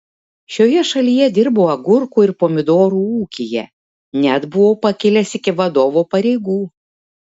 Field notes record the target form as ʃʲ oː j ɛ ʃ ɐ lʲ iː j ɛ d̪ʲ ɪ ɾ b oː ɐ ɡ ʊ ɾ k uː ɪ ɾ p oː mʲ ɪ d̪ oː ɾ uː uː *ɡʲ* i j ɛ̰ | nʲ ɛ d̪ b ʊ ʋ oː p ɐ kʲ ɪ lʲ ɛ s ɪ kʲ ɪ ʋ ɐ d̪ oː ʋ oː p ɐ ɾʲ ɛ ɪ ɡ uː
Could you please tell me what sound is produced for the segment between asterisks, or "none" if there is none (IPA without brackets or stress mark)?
kʲ